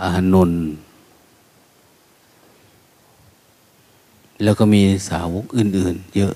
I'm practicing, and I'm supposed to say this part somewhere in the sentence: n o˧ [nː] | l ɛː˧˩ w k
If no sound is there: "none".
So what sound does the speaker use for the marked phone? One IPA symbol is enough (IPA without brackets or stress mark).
n